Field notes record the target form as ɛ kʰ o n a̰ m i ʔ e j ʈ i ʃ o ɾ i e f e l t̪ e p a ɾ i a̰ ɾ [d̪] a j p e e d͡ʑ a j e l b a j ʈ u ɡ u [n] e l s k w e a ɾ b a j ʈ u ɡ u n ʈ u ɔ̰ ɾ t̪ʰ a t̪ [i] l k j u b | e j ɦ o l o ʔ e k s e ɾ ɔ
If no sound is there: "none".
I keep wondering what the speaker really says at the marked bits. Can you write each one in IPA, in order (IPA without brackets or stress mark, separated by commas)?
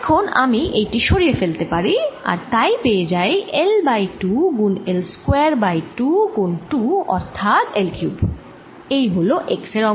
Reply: t̪, n, e